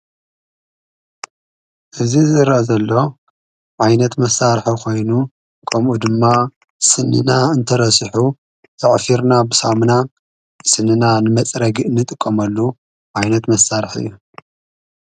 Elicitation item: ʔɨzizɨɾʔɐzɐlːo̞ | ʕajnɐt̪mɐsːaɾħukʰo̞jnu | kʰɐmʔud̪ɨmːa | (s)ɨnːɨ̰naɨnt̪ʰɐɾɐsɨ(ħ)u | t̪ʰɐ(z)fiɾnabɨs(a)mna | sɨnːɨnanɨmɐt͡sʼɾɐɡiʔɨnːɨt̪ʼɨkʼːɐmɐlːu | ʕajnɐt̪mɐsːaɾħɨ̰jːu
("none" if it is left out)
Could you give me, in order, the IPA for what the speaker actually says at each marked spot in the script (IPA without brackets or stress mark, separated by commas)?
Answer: s, ħ, ʕ, a